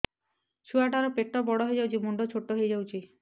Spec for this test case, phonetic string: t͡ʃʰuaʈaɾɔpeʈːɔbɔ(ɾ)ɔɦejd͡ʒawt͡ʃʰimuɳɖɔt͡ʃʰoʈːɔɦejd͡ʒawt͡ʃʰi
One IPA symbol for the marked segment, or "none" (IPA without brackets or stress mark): ɽ